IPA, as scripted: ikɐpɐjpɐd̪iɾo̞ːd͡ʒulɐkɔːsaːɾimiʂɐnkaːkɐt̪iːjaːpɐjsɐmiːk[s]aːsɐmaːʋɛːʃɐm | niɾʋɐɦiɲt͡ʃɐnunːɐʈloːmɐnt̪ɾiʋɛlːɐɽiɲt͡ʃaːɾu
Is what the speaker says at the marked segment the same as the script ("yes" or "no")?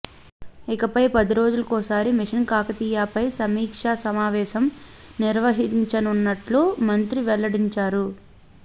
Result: no